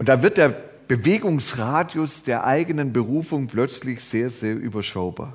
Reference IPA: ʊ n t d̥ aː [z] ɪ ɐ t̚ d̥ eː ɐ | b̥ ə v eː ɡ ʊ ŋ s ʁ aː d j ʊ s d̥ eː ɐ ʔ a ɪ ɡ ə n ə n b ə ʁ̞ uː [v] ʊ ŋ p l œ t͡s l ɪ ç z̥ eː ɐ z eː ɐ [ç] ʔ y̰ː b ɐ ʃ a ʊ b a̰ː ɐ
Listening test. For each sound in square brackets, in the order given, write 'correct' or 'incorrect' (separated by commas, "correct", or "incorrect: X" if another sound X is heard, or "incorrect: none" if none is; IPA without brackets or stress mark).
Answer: incorrect: v, incorrect: f, incorrect: none